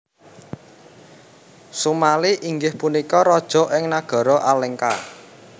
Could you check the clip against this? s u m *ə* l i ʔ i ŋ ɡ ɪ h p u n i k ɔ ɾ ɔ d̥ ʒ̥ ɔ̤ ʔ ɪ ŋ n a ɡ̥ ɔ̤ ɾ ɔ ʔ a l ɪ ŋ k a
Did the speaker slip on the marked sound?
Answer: yes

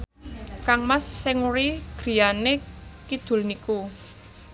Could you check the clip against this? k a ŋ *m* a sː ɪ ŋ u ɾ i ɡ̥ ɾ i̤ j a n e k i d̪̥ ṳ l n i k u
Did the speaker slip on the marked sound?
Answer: no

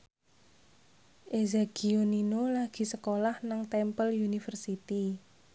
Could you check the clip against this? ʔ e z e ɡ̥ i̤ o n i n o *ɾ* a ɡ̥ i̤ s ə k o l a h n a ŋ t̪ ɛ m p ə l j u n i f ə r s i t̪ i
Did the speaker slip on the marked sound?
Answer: yes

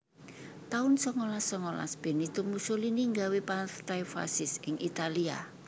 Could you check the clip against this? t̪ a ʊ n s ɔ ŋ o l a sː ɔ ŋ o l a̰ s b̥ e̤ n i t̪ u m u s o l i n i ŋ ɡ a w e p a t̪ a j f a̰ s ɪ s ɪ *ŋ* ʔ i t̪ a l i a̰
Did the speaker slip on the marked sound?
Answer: no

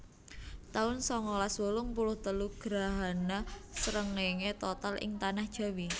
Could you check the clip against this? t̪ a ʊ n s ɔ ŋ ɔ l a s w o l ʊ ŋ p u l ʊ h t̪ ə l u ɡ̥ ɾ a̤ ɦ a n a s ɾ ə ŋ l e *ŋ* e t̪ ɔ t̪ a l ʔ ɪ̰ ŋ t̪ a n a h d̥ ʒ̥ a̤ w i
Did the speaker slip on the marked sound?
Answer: no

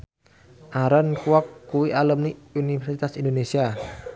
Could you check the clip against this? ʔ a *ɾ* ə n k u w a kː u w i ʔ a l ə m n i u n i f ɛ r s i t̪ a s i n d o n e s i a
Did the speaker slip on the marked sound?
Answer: no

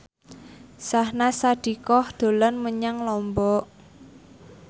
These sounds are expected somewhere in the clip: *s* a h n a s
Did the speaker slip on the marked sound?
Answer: no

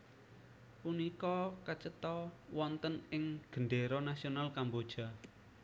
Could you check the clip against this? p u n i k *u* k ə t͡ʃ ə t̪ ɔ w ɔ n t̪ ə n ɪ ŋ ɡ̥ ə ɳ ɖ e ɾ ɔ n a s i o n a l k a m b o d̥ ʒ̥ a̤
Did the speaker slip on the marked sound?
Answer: yes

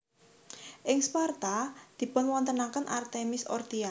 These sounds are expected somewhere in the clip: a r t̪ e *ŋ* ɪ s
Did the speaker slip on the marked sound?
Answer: yes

